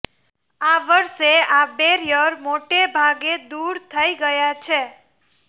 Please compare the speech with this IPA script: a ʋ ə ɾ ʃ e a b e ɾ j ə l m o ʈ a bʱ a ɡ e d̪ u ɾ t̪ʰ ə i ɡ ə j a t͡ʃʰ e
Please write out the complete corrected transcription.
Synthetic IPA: a ʋ ə ɾ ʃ e a b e ɾ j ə ɾ m o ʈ e bʱ a ɡ e d̪ u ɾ t̪ʰ ə i ɡ ə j a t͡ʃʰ e